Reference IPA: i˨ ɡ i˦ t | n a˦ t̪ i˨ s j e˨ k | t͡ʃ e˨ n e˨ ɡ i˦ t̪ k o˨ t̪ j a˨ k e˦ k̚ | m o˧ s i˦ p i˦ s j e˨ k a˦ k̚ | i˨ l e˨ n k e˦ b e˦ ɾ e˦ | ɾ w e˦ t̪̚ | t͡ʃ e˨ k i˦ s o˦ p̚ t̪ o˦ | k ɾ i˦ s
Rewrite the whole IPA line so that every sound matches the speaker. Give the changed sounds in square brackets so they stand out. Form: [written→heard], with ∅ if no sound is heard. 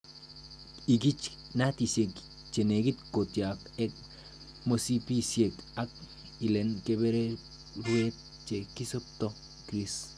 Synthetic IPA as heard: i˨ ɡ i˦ [t→t͡ʃ] | n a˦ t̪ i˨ s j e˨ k | t͡ʃ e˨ n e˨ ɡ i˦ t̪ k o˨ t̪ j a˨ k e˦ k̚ | m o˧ s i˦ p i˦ s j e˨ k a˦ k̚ | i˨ l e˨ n k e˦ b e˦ ɾ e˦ | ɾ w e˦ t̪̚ | t͡ʃ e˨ k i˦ s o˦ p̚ t̪ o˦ | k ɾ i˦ s